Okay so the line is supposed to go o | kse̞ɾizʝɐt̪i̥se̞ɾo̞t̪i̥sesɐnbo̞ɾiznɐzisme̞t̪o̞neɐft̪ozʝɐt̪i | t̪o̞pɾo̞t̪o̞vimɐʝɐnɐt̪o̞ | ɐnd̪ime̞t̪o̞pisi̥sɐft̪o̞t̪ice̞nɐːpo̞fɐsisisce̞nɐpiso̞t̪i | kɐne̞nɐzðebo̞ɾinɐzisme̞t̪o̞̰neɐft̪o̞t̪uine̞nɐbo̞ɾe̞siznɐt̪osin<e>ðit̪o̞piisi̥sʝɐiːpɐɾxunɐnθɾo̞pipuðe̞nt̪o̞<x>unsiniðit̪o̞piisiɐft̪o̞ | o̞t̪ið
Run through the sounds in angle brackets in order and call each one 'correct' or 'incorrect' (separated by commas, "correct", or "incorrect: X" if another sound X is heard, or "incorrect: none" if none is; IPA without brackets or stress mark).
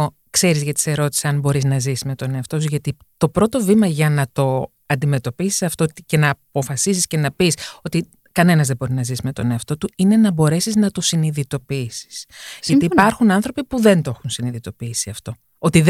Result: incorrect: i, correct